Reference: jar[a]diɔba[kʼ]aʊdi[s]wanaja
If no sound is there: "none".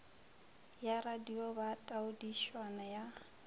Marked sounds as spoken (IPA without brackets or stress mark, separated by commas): a, tʼ, ʃ